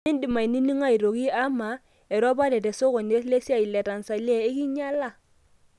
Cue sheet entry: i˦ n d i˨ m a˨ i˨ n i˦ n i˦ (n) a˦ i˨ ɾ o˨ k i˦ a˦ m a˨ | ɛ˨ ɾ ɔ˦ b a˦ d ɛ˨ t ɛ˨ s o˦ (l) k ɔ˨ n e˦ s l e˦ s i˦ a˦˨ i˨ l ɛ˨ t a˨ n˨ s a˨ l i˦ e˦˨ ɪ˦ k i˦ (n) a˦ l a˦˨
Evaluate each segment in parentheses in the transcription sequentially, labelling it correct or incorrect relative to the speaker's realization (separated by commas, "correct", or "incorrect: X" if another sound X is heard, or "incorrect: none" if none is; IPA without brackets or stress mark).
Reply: incorrect: ŋ, incorrect: none, incorrect: ɲ